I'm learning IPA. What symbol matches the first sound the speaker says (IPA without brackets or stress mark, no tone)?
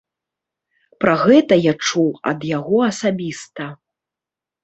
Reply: p